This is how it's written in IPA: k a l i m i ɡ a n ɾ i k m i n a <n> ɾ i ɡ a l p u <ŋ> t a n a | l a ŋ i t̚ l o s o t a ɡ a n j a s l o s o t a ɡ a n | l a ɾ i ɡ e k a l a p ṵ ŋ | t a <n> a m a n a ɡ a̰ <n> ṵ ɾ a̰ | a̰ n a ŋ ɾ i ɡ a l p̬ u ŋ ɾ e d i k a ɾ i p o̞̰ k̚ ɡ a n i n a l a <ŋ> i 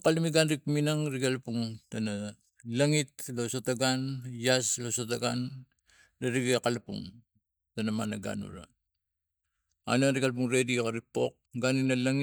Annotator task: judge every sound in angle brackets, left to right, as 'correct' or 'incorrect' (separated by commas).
incorrect, correct, correct, correct, correct